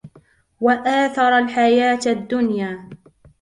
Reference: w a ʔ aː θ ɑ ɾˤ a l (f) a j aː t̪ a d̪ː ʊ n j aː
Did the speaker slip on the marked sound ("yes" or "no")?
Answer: yes